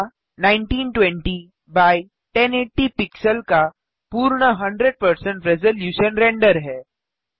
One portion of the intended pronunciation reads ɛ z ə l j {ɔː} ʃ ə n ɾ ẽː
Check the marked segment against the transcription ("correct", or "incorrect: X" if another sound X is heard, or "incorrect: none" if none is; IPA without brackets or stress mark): incorrect: uː